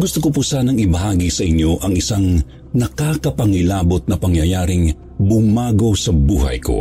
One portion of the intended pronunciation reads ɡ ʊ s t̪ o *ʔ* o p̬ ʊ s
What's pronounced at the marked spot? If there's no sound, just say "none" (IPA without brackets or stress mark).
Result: k